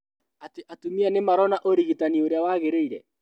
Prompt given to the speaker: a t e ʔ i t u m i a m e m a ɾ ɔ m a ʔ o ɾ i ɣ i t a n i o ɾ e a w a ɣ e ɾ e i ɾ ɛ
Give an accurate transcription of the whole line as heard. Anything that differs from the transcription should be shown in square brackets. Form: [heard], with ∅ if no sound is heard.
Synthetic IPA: a t e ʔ [a] t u m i a [n] e m a ɾ ɔ [n] a ʔ o ɾ i ɣ i t a n i o ɾ e a w a ɣ e ɾ e i ɾ ɛ